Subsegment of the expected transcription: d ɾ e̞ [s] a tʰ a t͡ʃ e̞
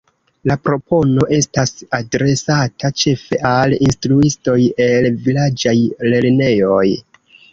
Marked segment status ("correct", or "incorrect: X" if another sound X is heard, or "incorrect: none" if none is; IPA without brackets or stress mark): correct